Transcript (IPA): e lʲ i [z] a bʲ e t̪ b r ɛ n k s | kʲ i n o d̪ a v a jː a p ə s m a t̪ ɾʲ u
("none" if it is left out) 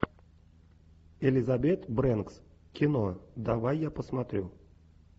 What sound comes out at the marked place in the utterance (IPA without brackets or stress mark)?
z